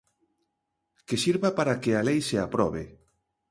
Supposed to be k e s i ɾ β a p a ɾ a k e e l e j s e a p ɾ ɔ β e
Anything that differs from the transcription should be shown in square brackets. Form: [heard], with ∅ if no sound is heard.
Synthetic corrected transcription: k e s i ɾ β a p a ɾ a k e [a] l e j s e a p ɾ ɔ β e